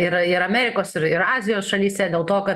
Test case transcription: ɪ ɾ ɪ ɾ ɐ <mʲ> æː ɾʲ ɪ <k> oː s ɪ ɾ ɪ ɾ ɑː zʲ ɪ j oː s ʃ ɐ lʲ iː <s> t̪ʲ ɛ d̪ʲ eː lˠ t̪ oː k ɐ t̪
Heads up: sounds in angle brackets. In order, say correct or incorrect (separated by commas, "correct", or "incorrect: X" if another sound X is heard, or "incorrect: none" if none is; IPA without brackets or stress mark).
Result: correct, correct, correct